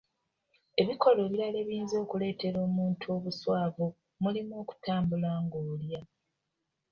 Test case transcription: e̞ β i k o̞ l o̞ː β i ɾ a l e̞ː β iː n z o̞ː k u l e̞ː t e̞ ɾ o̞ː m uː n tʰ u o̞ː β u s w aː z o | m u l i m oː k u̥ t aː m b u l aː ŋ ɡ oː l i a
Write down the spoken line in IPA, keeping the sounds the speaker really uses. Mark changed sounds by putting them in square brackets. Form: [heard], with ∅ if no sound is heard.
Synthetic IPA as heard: e̞ β i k o̞ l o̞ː β i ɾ a l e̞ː β iː n z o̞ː k u l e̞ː t e̞ ɾ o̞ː m uː n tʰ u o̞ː β u s w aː [v] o | m u l i m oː k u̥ t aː m b u l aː ŋ ɡ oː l [j] a